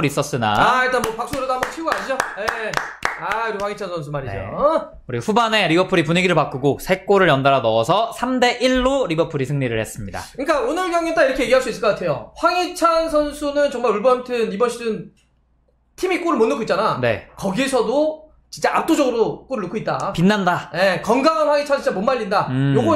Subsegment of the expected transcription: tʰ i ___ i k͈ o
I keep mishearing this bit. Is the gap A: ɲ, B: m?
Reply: B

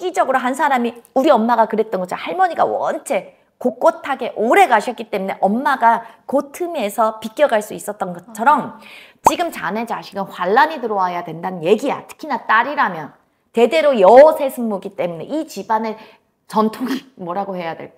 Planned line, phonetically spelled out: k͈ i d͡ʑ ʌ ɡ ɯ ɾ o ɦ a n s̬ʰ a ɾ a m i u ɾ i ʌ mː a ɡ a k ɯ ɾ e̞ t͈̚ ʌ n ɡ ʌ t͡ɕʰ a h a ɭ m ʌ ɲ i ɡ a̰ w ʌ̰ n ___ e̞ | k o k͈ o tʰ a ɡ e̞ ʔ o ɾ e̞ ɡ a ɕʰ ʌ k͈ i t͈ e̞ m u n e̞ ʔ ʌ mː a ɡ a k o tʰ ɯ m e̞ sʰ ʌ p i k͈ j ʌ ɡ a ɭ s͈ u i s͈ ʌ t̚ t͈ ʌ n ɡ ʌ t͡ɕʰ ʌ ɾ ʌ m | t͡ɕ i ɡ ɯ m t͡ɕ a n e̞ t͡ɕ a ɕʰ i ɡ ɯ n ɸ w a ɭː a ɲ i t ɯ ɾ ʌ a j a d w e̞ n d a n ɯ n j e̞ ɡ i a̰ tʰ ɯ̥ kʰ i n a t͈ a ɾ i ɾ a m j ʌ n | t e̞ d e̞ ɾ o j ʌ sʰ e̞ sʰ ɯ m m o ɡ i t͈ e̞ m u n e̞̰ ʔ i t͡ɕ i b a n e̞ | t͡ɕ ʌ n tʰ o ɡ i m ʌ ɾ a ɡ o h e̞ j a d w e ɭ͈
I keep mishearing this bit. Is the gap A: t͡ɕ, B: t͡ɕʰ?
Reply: B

